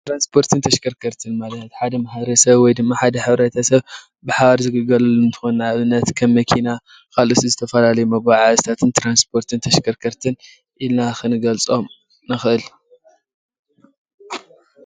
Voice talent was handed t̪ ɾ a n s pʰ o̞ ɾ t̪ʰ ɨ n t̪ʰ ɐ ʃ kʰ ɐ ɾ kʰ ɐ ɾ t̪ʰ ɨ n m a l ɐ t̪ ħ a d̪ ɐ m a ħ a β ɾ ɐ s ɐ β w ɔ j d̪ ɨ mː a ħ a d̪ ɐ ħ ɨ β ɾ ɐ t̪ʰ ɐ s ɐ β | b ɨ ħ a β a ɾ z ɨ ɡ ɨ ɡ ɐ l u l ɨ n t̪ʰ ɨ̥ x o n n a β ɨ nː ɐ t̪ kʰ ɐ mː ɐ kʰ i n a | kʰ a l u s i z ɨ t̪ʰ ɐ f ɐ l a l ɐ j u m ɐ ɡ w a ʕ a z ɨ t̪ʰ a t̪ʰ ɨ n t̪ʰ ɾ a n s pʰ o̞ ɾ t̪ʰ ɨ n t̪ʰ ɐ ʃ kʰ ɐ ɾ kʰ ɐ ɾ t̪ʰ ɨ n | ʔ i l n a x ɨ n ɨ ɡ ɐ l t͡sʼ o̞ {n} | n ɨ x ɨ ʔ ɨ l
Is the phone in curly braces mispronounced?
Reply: yes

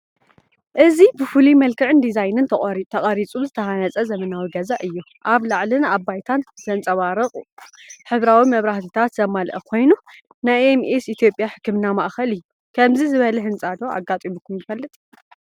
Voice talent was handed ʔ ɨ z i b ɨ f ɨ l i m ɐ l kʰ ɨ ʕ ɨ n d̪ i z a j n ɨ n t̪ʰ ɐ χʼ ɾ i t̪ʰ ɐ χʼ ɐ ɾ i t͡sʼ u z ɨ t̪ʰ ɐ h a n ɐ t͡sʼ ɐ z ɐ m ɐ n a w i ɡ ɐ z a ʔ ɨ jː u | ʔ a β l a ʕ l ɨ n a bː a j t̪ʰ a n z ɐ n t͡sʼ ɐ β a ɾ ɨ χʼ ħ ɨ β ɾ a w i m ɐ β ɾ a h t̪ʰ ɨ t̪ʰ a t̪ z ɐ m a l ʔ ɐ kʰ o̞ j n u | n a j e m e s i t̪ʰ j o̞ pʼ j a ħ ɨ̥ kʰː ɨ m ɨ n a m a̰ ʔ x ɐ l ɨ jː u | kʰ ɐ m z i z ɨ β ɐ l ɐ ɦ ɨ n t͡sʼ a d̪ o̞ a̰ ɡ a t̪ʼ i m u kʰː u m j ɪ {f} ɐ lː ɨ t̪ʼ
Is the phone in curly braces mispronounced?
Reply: no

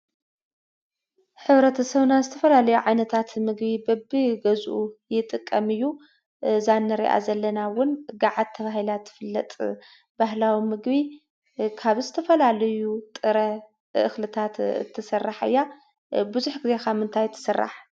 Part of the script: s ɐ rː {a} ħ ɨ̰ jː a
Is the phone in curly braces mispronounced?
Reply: no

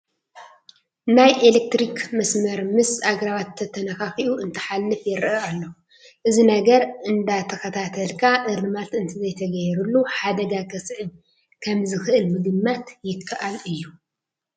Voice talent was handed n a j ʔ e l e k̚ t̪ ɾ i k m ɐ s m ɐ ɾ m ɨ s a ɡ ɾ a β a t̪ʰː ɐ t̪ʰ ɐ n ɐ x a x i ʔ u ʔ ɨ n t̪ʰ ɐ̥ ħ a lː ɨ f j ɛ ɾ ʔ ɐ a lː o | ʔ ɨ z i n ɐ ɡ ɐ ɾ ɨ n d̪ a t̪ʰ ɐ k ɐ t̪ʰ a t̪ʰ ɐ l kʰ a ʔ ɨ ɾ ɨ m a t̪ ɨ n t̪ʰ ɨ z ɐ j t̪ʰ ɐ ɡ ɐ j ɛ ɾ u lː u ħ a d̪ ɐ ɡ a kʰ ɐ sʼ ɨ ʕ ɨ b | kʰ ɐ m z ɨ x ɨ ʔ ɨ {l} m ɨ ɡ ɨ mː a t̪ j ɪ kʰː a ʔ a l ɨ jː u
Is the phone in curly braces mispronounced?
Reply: no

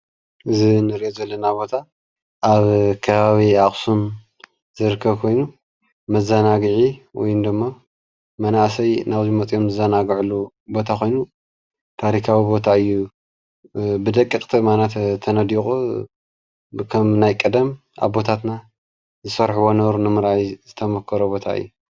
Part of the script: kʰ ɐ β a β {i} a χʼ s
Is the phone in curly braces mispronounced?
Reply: no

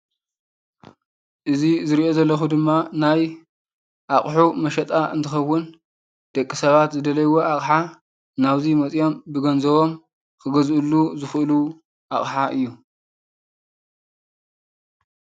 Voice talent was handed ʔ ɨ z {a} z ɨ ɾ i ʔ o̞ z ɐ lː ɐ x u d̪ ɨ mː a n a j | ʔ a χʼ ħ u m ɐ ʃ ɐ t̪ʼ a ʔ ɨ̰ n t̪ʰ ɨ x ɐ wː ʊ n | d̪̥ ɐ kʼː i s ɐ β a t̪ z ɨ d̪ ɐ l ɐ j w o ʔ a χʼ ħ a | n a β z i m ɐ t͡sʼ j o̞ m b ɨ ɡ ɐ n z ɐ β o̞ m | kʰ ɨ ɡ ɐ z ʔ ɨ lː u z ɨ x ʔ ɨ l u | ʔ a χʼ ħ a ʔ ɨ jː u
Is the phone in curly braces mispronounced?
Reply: yes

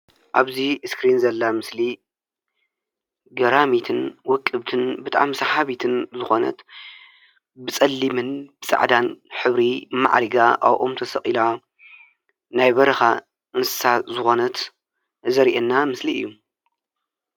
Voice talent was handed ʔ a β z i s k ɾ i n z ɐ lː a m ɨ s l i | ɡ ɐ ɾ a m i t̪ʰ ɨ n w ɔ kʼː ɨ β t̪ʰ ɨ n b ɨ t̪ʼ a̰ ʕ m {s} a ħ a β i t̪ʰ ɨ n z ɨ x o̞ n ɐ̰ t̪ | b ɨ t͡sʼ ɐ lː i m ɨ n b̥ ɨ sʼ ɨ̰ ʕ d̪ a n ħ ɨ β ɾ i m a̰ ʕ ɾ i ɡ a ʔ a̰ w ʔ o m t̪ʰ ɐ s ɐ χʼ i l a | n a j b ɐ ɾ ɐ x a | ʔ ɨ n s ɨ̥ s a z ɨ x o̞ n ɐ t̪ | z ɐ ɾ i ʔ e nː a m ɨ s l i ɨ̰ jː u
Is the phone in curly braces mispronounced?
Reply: no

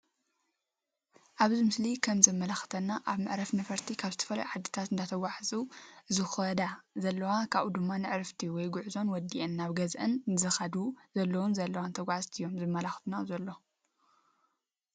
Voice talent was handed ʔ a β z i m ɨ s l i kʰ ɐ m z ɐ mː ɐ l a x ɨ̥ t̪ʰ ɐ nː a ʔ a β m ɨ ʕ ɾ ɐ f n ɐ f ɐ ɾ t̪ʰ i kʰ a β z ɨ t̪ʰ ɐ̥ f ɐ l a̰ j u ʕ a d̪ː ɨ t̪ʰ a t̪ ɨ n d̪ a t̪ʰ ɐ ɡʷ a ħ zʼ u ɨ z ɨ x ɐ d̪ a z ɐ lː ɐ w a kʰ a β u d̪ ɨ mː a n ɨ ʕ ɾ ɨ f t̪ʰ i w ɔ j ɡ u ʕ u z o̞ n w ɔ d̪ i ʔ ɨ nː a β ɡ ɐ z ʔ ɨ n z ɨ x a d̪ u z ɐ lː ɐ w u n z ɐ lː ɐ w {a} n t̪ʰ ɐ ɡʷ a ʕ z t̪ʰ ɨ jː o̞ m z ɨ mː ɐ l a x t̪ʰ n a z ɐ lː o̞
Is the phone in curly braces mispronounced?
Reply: no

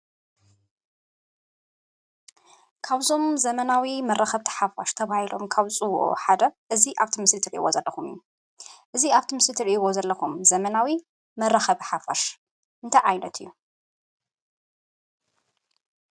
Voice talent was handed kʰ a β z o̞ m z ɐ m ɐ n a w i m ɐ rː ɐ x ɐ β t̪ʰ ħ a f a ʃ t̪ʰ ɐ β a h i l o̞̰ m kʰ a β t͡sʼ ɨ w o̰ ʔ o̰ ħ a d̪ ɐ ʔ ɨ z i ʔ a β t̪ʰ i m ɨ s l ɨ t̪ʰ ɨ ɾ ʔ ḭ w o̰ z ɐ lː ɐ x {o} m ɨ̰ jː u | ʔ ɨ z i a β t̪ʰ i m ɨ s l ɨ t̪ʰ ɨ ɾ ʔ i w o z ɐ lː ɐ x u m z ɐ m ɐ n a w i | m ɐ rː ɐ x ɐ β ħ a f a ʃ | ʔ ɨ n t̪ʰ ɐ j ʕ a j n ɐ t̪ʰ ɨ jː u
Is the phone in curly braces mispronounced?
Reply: yes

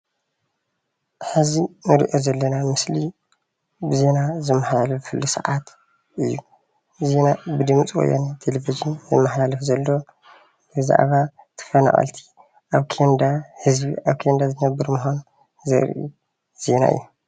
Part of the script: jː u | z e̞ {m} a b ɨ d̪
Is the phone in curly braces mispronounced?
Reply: yes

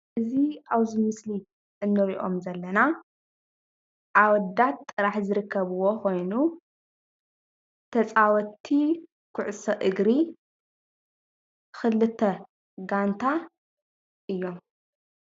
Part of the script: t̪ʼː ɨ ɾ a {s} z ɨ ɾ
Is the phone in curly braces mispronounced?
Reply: yes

